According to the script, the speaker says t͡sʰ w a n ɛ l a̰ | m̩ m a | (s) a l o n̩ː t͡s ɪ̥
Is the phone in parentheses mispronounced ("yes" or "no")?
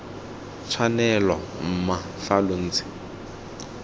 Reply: yes